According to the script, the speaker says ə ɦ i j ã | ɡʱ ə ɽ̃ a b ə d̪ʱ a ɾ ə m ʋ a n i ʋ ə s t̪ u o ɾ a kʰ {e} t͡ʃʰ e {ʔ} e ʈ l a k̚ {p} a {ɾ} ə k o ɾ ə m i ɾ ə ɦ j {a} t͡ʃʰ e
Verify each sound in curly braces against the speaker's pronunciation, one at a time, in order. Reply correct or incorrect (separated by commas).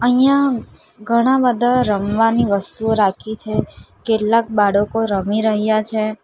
incorrect, incorrect, incorrect, incorrect, correct